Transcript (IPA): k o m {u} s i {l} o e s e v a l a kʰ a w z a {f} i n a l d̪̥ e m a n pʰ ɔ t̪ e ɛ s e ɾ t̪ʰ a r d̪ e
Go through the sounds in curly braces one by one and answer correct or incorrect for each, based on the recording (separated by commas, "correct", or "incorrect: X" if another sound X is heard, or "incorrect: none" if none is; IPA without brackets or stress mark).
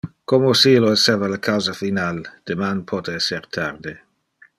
incorrect: o, correct, correct